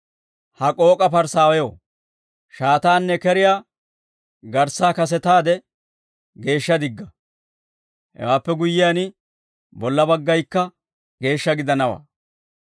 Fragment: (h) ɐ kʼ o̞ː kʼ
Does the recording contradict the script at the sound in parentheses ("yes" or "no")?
no